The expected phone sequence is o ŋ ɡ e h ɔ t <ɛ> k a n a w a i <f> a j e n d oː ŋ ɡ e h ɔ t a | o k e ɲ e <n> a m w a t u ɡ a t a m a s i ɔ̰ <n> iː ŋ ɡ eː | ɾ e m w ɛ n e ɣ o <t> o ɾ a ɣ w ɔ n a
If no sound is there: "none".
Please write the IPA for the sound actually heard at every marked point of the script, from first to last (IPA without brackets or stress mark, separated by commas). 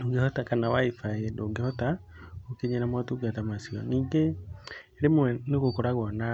a, f, n, n, k